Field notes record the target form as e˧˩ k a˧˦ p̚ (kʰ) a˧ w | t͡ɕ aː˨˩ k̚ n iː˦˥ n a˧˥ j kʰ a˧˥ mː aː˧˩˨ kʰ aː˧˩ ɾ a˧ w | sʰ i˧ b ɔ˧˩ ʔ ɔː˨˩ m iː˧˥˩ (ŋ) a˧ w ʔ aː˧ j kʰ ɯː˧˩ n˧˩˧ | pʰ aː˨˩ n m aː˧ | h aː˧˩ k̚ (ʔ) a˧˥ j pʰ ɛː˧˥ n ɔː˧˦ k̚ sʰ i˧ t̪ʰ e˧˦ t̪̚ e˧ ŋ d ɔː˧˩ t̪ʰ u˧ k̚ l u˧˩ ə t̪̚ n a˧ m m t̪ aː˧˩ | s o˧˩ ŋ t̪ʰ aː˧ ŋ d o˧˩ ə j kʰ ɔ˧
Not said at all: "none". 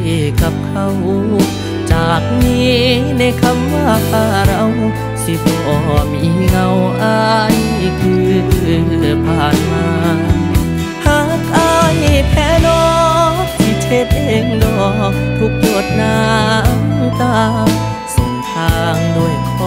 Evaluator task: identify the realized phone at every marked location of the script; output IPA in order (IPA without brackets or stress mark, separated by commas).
kʰ, ŋ, ʔ